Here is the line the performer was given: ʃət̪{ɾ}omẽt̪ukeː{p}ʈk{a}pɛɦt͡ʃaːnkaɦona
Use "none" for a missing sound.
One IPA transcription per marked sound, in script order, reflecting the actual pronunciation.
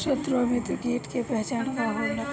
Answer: ɾ, none, e

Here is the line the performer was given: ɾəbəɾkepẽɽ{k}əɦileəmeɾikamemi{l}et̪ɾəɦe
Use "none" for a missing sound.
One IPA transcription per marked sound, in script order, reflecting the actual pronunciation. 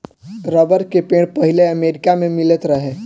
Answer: p, l

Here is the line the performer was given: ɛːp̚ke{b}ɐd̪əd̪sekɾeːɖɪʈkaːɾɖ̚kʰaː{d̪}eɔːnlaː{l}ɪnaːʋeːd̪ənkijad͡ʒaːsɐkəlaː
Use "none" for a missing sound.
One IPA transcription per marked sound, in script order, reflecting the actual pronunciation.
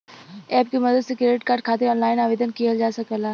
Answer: m, t̪, none

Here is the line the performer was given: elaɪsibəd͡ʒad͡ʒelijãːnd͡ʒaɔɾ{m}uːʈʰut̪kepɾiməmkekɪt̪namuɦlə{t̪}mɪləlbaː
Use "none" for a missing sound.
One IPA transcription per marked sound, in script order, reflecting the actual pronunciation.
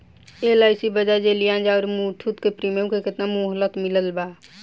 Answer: m, t̪

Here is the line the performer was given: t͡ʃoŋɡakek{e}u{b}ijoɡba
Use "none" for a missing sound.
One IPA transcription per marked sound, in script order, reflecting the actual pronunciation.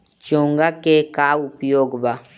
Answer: a, p

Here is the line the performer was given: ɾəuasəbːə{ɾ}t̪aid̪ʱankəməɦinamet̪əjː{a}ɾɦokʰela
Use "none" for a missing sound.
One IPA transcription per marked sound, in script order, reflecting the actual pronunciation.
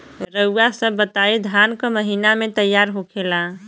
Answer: none, a

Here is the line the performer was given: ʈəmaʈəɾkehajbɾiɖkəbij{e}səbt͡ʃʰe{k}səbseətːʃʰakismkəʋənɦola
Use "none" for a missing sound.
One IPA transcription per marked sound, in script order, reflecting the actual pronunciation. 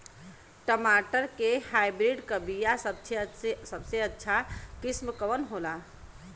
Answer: a, none

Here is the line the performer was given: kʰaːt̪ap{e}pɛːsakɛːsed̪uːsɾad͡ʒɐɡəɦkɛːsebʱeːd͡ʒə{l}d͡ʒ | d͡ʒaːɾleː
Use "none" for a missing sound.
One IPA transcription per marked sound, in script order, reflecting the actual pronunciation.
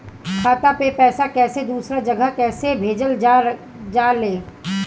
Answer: e, l

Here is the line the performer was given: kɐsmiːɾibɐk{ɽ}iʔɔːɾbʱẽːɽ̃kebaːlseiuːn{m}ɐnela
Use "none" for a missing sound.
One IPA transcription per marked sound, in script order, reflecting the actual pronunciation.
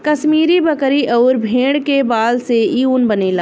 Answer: ɾ, b

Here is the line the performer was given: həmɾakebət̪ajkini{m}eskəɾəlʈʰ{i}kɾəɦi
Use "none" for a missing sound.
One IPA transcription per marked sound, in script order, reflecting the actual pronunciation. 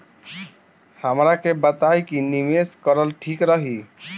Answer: m, i

